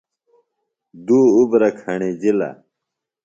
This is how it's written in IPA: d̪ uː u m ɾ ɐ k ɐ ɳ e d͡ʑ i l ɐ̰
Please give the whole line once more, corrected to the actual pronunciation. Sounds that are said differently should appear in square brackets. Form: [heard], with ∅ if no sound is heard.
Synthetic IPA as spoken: d̪ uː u [b] ɾ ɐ [kʰ] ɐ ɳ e d͡ʑ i l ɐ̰